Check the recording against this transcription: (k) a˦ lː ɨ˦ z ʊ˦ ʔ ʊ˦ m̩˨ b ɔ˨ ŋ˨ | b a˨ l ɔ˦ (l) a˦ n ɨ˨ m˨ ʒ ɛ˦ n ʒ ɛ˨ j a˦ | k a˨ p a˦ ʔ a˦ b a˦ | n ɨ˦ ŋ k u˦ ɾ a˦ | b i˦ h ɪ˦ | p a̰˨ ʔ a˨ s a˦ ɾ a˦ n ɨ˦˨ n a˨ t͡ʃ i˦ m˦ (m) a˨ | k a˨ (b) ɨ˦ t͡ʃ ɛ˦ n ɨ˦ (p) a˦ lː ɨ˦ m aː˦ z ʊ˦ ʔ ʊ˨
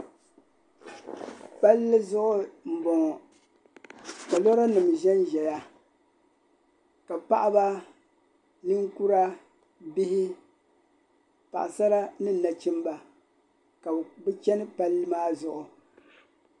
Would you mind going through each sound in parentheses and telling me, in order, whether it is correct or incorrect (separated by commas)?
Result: incorrect, incorrect, incorrect, correct, correct